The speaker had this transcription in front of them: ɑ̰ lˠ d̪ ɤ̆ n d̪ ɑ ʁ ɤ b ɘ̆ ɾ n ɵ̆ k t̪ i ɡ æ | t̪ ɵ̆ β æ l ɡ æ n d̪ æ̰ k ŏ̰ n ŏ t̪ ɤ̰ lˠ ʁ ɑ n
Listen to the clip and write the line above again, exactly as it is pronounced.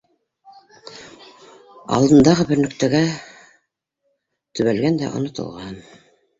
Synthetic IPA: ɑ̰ lˠ d̪ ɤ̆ n d̪ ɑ ʁ ɤ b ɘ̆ ɾ n ɵ̆ k t̪ æ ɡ æ | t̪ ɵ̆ β æ l ɡ æ n d̪ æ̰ ʔ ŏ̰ n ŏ t̪ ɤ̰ lˠ ʁ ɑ n